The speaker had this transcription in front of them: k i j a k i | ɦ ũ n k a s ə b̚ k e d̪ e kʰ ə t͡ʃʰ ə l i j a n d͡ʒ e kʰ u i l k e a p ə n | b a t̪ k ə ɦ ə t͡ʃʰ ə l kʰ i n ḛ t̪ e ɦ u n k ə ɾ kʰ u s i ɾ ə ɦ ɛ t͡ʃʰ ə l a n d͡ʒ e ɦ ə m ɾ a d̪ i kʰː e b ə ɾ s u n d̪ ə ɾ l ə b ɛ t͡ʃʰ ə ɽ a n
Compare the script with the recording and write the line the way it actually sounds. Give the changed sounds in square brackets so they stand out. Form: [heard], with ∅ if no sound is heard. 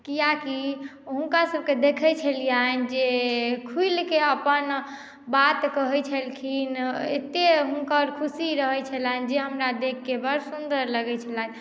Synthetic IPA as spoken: k i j a k i | ɦ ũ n k a s ə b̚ k e d̪ e kʰ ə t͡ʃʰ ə l i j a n d͡ʒ e kʰ u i l k e [ə] p ə n | b a t̪ k ə ɦ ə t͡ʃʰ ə l kʰ i n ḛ t̪ e ɦ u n k ə ɾ kʰ u s i ɾ ə ɦ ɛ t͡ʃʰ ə l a n d͡ʒ e ɦ ə m ɾ a d̪ [e] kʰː e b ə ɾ s u n d̪ ə ɾ l ə [ɡ] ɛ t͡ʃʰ ə [l] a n